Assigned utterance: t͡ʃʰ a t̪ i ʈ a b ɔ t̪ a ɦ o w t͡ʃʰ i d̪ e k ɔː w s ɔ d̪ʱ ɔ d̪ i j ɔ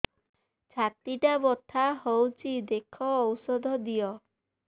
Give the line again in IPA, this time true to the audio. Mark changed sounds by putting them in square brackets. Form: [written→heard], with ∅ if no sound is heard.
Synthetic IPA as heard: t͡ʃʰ a t̪ i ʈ a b ɔ [t̪→t̪ʰ] a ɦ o w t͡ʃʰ i d̪ e [k→kʰ] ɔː w s ɔ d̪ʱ ɔ d̪ i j ɔ